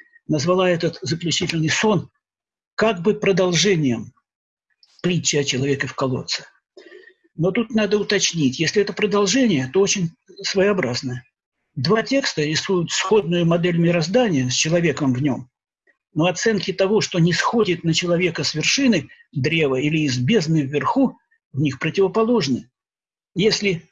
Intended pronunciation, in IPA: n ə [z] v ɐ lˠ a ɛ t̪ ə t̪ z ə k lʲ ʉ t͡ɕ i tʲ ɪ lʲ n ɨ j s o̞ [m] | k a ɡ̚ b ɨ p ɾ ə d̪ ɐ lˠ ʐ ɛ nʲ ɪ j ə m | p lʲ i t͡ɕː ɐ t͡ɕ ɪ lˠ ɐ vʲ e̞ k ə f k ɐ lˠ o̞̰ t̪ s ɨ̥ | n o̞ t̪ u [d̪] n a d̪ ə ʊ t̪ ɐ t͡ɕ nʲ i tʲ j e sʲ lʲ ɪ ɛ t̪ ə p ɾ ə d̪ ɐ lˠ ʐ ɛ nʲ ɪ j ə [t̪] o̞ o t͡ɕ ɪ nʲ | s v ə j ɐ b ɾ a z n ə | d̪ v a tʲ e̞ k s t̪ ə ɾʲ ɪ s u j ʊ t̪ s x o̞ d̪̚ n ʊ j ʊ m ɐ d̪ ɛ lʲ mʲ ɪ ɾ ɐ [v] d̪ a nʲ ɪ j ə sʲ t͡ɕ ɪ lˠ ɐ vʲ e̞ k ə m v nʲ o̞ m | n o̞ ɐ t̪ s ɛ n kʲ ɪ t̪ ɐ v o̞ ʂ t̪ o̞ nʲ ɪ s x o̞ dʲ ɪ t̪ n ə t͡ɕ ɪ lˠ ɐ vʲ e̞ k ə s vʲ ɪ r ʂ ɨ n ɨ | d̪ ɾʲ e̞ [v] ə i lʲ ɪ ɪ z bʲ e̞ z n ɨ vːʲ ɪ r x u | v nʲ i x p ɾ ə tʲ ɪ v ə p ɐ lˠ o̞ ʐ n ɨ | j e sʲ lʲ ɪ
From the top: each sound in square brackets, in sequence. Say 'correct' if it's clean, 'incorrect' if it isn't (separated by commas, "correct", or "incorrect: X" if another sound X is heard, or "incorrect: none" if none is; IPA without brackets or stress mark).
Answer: correct, incorrect: n, incorrect: t̪, correct, incorrect: z, correct